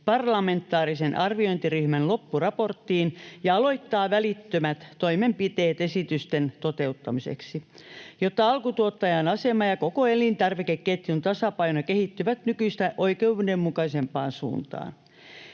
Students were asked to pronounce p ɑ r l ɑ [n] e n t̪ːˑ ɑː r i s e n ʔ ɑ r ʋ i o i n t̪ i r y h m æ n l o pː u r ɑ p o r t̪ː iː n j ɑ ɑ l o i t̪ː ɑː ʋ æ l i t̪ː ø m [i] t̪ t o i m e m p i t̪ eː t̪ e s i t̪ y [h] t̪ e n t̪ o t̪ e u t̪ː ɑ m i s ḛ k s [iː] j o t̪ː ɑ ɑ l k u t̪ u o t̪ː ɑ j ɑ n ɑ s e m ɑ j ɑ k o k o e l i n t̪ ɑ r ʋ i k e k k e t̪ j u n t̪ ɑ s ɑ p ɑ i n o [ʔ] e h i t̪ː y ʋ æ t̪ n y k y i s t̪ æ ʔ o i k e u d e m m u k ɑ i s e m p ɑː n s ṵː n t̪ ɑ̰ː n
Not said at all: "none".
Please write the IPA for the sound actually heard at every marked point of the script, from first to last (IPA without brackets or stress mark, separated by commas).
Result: m, æ, s, i, k